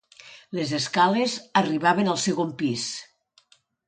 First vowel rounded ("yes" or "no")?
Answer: no